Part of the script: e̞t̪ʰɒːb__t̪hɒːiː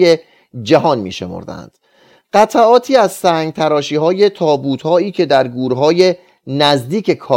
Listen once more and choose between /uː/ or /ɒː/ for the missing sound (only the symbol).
uː